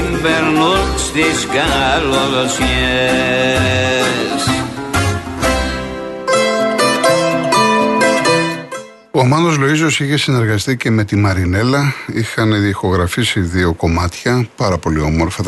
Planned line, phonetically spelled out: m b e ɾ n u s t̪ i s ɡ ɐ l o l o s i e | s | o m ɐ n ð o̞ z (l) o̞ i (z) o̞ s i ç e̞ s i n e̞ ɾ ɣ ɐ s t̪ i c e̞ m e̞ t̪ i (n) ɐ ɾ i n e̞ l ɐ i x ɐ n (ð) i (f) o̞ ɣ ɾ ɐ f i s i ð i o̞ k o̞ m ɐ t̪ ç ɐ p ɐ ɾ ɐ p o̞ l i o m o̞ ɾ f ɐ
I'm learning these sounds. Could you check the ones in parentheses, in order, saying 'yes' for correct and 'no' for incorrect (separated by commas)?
yes, yes, no, yes, no